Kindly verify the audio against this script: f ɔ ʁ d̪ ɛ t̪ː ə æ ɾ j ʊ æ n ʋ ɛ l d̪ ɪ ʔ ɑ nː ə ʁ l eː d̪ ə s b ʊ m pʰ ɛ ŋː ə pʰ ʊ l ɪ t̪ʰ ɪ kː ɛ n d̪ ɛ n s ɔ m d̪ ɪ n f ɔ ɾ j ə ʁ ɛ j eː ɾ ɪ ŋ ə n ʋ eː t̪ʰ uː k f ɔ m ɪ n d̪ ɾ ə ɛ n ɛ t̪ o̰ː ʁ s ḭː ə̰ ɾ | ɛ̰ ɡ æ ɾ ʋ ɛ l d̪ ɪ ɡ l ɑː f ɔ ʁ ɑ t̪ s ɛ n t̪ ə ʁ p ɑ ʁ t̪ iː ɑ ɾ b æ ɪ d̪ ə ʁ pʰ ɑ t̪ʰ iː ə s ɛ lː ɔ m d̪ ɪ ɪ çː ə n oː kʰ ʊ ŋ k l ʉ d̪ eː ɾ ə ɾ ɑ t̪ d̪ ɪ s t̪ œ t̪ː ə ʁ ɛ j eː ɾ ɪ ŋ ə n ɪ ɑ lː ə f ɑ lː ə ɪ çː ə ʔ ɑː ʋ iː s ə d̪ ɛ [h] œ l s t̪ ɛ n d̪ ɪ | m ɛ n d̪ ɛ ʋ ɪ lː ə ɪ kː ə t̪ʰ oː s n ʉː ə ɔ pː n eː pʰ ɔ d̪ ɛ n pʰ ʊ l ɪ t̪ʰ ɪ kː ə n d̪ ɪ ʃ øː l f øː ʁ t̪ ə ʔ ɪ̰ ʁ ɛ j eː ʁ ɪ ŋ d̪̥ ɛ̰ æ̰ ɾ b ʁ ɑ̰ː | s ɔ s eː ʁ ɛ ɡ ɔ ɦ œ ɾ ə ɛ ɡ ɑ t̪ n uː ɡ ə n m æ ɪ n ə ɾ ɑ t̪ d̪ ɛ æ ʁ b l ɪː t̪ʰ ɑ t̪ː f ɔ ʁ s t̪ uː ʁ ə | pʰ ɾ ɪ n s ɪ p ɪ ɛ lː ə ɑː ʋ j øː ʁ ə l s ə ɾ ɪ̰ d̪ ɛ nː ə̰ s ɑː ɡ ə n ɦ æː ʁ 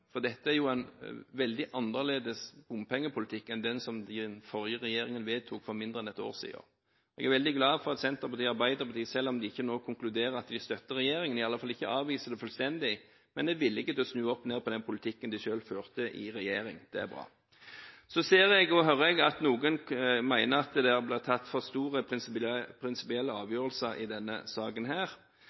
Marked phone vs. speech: incorrect: f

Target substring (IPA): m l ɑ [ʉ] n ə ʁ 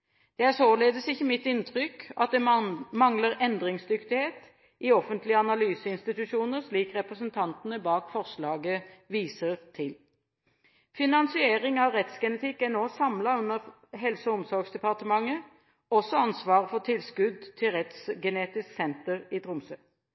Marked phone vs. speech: correct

